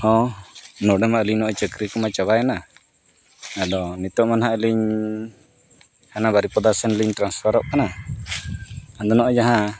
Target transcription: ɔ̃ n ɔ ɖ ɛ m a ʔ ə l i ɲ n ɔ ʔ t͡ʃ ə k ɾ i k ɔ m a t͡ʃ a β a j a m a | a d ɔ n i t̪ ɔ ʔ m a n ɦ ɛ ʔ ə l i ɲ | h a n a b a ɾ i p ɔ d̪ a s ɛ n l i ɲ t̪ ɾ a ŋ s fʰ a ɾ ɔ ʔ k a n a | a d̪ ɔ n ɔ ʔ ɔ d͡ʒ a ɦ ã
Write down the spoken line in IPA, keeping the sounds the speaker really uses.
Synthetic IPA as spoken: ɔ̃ n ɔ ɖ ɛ m a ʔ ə l i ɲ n ɔ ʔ t͡ʃ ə k ɾ i k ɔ m a t͡ʃ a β a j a n a | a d ɔ n i t̪ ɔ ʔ m a n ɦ a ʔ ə l i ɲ | h a n a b a ɾ i p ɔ d̪ a s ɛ n l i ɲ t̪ ɾ a n s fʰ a ɾ ɔ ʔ k a n a | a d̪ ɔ n ɔ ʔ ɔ d͡ʒ a ɦ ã